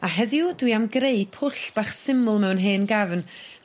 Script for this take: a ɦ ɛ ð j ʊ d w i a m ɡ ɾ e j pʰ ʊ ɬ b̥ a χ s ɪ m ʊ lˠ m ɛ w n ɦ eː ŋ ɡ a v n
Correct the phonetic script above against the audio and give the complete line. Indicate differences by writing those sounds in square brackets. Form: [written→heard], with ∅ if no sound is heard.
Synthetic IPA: a ɦ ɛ ð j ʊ d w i a m ɡ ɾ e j pʰ ʊ ɬ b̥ a χ s ɪ m ʊ lˠ m ɛ w n ɦ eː [ŋ→n] ɡ a v n